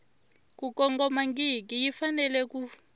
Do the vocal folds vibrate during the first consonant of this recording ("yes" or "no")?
no